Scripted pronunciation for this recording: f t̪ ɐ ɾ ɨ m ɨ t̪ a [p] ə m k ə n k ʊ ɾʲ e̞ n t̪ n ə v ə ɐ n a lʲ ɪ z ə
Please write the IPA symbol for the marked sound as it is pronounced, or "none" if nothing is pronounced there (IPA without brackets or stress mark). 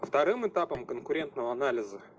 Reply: p